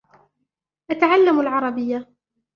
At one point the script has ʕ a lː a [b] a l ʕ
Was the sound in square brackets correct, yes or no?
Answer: no